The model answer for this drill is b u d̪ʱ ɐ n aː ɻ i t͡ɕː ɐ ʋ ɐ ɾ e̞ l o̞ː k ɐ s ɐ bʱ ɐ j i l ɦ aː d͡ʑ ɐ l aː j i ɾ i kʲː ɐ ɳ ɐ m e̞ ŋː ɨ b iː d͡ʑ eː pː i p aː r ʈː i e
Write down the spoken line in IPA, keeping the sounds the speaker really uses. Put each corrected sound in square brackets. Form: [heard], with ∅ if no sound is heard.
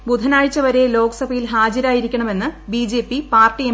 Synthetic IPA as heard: b u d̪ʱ ɐ n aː ɻ i t͡ɕː ɐ ʋ ɐ ɾ e̞ l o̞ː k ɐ s ɐ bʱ ɐ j i l ɦ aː d͡ʑ ɐ [ɾ] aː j i ɾ i kʲː ɐ ɳ ɐ m e̞ [nː] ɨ b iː d͡ʑ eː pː i p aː r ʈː i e